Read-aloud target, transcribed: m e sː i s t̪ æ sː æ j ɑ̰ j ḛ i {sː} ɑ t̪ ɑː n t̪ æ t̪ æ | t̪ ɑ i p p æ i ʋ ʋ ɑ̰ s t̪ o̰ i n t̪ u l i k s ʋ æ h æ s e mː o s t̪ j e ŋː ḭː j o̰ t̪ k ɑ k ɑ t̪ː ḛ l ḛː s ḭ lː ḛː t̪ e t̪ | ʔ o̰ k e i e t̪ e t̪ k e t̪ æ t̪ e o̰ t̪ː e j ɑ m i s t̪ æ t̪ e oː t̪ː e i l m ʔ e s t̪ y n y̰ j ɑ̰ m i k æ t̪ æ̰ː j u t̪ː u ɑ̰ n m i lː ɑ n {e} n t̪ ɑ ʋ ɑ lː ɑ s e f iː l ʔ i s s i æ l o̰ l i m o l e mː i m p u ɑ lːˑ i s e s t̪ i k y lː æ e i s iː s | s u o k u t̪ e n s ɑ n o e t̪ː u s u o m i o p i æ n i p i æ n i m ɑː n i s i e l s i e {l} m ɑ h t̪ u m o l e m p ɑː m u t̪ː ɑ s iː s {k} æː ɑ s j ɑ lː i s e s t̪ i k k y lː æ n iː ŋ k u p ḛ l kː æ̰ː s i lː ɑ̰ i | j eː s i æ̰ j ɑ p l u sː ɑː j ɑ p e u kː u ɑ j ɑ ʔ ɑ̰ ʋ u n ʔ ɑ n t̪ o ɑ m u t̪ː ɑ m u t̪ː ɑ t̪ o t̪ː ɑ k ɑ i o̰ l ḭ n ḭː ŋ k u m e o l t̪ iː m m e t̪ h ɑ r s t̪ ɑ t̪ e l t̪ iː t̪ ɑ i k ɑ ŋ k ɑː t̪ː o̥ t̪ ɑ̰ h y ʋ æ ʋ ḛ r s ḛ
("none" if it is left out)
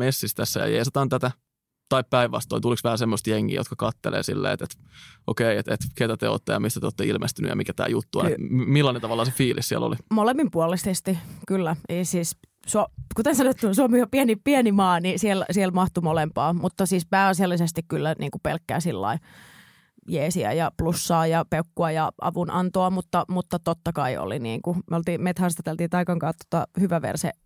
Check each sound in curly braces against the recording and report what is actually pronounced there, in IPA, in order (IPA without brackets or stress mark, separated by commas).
s, e, l, p